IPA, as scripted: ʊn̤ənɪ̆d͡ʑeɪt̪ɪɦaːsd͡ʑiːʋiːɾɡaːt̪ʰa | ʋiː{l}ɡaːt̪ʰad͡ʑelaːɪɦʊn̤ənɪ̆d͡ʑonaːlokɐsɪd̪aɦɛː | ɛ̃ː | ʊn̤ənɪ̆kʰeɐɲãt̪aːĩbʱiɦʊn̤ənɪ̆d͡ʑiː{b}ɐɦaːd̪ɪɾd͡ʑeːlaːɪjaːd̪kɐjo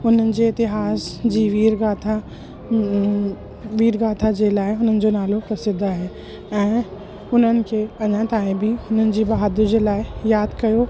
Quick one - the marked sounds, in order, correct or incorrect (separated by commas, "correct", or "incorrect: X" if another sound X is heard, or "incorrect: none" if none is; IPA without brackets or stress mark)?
incorrect: ɾ, correct